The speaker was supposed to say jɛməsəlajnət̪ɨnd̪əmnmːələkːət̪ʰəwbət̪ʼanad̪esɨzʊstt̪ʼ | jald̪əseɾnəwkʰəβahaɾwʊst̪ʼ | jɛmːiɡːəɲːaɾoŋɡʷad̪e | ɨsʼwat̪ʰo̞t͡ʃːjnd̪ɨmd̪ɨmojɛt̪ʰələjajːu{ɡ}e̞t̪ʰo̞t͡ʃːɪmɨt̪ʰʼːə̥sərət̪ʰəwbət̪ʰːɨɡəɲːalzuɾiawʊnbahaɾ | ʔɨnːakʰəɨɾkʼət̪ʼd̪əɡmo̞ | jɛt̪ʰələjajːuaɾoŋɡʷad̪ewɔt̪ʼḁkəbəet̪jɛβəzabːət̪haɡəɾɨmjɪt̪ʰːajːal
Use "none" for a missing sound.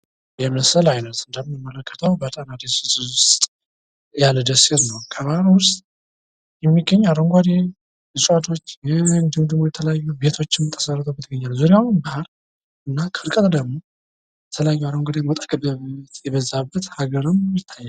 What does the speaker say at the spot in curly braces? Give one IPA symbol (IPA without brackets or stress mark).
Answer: b